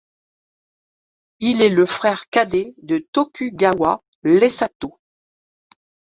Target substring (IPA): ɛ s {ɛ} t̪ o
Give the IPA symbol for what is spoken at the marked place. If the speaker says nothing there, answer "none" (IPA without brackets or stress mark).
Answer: a